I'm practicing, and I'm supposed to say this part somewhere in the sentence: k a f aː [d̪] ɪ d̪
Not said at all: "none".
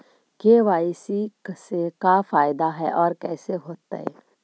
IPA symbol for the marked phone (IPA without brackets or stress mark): none